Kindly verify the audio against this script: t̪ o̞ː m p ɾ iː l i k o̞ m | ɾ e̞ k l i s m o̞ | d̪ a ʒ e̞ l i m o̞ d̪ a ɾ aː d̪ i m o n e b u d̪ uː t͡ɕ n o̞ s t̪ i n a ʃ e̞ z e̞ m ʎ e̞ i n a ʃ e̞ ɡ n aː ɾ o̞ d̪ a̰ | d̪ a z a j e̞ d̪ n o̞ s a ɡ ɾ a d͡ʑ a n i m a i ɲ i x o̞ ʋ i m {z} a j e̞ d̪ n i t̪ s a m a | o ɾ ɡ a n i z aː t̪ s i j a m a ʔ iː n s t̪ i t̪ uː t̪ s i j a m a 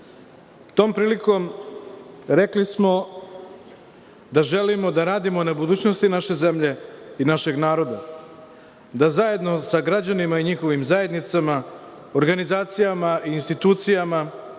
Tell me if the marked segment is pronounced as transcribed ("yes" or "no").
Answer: yes